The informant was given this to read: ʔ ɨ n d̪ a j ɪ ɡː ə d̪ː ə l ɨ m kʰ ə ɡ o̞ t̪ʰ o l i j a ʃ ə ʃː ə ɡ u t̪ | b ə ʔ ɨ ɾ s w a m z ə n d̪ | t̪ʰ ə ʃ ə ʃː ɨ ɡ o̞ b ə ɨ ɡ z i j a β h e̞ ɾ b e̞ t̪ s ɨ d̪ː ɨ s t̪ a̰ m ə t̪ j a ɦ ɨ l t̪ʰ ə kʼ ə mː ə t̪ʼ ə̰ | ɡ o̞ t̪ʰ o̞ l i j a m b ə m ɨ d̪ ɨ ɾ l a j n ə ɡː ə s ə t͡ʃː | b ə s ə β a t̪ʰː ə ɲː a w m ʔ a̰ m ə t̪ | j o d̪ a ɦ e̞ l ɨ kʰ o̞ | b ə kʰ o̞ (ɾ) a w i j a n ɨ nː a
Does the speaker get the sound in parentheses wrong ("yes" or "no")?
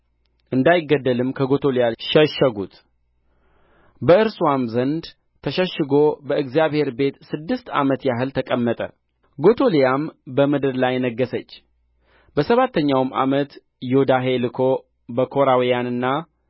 no